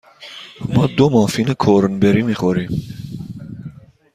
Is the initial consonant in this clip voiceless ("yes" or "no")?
no